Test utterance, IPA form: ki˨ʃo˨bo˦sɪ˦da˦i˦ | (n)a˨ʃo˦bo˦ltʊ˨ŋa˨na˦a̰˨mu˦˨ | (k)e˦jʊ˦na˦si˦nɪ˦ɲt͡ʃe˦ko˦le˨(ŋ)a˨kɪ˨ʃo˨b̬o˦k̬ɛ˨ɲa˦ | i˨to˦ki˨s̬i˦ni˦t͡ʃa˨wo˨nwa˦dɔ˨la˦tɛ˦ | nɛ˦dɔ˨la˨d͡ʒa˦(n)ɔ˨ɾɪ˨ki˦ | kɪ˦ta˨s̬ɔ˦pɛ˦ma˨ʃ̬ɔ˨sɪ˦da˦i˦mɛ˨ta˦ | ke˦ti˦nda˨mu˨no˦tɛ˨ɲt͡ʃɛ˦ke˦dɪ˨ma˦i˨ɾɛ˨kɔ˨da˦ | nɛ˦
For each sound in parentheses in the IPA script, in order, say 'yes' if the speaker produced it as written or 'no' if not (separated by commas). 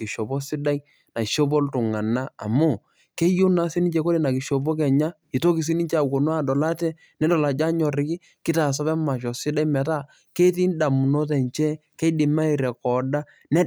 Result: yes, yes, no, no